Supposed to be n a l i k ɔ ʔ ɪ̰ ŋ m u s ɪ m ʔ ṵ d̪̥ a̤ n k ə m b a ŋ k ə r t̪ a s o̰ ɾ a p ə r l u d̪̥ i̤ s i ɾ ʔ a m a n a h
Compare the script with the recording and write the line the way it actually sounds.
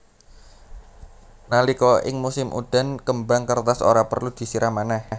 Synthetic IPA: n a l i k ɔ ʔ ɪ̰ ŋ m u s ɪ m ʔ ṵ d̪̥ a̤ n k ə m b a ŋ k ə r t̪ a s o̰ ɾ a p ə r l u d̪̥ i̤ s i ɾ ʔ a m a n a h